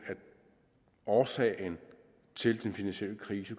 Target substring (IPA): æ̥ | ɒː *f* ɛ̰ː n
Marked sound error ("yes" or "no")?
yes